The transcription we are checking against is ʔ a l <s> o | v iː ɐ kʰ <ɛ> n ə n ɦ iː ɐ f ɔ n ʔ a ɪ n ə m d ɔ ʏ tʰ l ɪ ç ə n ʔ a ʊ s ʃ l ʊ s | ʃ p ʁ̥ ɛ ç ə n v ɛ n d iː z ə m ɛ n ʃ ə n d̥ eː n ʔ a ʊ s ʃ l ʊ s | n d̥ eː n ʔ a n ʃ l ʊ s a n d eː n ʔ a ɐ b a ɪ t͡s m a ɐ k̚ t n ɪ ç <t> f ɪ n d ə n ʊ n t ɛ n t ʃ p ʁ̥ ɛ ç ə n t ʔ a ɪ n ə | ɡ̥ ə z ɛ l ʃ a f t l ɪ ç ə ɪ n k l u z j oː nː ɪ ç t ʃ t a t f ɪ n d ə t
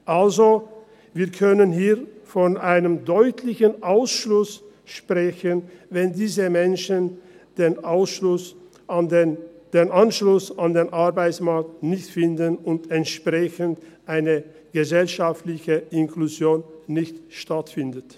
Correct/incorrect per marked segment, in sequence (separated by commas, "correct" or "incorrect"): incorrect, incorrect, correct